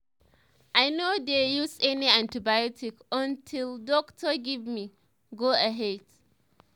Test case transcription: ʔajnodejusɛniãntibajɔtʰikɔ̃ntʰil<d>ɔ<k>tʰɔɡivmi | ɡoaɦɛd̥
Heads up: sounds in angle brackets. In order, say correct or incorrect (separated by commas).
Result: correct, correct